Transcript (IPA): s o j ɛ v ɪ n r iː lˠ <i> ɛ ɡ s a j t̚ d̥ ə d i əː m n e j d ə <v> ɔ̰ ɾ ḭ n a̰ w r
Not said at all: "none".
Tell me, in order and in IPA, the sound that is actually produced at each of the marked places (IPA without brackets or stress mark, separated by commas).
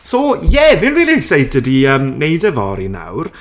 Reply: i, v